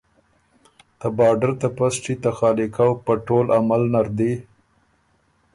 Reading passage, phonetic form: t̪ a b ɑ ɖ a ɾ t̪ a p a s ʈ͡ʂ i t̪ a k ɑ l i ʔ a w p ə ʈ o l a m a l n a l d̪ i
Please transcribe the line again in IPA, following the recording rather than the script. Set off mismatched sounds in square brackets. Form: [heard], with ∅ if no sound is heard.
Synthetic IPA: t̪ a b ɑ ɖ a ɾ t̪ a p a s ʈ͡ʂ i t̪ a [x] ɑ l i [k] a w p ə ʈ o l a m a l n a [ɾ] d̪ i